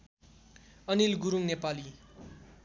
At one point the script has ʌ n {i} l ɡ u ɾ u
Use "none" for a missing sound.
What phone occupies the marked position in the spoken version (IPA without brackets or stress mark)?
i